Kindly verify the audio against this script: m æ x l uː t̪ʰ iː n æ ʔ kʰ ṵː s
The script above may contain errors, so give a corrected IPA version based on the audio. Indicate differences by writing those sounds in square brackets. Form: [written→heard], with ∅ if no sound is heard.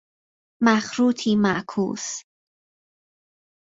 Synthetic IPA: m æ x [l→ɾ] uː t̪ʰ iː [n→m] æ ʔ kʰ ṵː s